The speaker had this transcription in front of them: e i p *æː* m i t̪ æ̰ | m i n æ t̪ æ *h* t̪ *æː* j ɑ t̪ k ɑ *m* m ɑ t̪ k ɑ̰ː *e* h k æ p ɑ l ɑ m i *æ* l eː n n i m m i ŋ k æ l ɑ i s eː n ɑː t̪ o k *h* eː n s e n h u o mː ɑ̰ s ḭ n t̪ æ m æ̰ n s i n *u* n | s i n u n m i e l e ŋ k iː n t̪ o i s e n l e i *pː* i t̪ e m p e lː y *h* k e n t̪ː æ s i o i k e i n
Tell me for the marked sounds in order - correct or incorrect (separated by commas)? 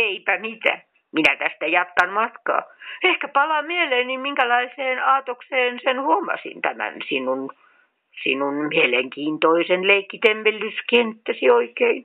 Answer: incorrect, incorrect, incorrect, incorrect, correct, incorrect, incorrect, correct, incorrect, incorrect